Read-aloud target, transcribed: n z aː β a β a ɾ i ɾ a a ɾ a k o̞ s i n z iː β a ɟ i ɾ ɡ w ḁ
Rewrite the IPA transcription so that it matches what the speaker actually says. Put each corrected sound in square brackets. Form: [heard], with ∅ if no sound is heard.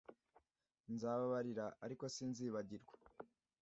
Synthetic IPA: n z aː β a β a ɾ i ɾ a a ɾ [i] k o̞ s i n z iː β a ɟ i ɾ ɡ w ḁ